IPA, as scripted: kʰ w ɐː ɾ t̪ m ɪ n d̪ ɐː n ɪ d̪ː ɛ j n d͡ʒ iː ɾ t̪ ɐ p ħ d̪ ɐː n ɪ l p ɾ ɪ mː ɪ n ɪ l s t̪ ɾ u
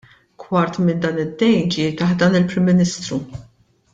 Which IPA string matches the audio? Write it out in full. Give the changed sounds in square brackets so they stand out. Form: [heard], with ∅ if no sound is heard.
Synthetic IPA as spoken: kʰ w [ɐ] ɾ t̪ m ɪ n d̪ ɐː n ɪ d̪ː ɛ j n d͡ʒ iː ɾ t̪ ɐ [∅] ħ d̪ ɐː n ɪ l p ɾ ɪ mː ɪ n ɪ [∅] s t̪ ɾ u